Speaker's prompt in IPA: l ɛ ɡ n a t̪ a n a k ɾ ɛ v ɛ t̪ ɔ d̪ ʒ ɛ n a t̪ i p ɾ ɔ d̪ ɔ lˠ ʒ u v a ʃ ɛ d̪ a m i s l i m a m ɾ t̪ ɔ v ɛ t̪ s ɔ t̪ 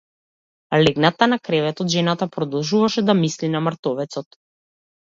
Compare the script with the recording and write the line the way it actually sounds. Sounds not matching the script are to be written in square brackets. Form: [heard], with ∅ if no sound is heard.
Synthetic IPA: l ɛ ɡ n a t̪ a n a k ɾ ɛ v ɛ t̪ ɔ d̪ ʒ ɛ n a t̪ [a] p ɾ ɔ d̪ ɔ lˠ ʒ u v a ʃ ɛ d̪ a m i s l i [n] a m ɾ t̪ ɔ v ɛ t̪ s ɔ t̪